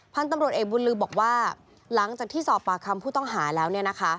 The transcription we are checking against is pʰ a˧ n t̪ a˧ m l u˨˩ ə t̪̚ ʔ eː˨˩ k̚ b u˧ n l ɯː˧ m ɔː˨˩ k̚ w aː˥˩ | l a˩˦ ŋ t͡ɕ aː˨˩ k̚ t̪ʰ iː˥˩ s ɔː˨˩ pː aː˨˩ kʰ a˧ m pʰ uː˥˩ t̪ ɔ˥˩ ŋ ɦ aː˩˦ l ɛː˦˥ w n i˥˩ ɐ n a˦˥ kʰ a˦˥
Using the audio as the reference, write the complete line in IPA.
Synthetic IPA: pʰ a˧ n t̪ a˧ m ɾ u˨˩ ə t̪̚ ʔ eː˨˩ k̚ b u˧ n l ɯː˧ b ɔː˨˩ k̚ w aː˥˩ | l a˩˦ ŋ t͡ɕ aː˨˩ k̚ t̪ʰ iː˥˩ s ɔː˨˩ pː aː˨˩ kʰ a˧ m pʰ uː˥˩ t̪ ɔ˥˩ ŋ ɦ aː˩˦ l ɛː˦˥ w n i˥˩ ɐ n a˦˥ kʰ a˦˥